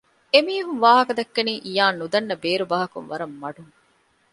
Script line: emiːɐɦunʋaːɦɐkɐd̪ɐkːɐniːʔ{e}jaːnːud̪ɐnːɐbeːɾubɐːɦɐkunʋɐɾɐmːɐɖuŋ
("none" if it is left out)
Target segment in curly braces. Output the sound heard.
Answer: i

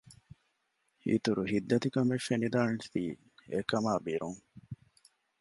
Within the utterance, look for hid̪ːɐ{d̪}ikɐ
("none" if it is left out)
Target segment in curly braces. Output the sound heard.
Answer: t̪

